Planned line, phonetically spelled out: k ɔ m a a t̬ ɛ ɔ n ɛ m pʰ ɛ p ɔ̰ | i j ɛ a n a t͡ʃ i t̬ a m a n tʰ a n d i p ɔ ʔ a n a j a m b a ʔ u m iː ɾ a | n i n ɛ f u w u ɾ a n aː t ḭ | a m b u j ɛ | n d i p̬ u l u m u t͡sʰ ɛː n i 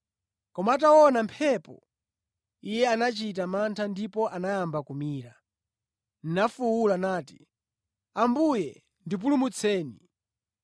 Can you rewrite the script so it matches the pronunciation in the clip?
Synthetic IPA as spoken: k ɔ m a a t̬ a ɔ n a m pʰ ɛ p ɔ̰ | i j ɛ a n a t͡ʃ i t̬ a m a n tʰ a n d i p ɔ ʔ a n a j a m b a k u m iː ɾ a | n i n a f u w u l a n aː t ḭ | a m b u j ɛ | n d i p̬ u l u m u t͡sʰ ɛː n i